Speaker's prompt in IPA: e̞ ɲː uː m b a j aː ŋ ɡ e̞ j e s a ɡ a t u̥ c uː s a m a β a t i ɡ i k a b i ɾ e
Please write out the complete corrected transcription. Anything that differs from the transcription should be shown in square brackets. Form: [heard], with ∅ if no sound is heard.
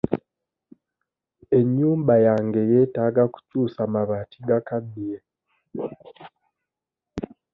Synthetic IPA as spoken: e̞ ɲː uː m b a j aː ŋ ɡ e̞ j e [t] a ɡ a [k] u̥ c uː s a m a β a t i ɡ [a] k a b i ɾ e